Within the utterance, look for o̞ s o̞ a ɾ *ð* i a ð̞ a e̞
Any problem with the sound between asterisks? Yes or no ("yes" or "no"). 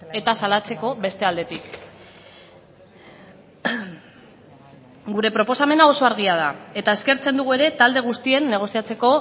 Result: yes